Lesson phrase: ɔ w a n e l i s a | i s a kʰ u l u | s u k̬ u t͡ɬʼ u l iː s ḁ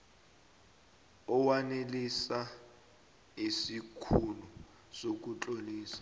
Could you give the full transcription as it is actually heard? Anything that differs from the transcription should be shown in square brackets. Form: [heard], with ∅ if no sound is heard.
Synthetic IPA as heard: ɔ w a n e l i s a | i s [i] kʰ u l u | s [o] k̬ u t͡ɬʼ [o] l iː s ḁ